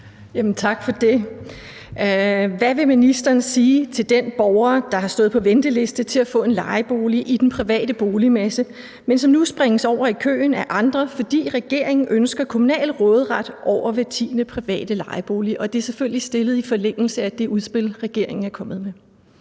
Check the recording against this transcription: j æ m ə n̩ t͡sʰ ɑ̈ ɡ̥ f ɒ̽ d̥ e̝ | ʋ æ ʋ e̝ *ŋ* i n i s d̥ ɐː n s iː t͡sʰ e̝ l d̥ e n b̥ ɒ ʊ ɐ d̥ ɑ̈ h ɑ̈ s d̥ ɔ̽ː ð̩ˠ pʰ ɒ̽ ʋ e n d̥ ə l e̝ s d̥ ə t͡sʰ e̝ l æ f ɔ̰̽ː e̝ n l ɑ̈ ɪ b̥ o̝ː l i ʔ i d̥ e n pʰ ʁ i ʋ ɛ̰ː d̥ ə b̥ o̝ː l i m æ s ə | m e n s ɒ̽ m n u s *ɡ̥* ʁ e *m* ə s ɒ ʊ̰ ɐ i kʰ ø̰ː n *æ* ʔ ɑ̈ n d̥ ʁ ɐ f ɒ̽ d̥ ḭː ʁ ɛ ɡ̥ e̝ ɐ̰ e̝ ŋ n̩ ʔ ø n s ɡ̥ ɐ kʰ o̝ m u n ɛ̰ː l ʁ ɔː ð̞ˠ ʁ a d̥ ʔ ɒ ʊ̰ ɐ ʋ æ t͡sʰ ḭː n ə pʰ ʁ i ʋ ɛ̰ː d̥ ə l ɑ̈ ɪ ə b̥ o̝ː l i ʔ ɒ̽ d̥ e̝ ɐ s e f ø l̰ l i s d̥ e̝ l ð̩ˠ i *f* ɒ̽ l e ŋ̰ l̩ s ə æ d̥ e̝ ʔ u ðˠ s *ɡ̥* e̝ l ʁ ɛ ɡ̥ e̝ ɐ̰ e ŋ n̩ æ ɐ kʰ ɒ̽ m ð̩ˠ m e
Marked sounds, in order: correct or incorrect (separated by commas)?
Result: incorrect, incorrect, incorrect, correct, correct, incorrect